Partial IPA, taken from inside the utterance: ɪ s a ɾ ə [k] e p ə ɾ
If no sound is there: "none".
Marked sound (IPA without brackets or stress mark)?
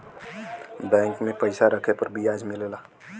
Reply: kʰ